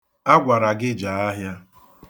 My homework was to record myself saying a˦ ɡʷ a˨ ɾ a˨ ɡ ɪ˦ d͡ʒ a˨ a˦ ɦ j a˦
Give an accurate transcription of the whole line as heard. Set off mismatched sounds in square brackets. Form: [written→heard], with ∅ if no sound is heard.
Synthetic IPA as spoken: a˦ ɡʷ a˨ ɾ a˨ ɡ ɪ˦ d͡ʒ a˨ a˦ ɦ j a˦